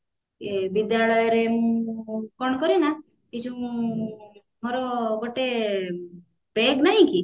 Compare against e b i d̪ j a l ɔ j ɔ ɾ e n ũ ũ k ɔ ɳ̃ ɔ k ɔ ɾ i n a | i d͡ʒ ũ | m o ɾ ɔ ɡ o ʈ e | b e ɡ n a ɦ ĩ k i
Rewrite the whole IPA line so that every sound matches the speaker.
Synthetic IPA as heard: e b i d̪ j a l ɔ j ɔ ɾ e m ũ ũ k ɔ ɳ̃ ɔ k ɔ ɾ i n a | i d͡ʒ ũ | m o ɾ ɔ ɡ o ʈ e | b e ɡ n a ɦ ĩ k i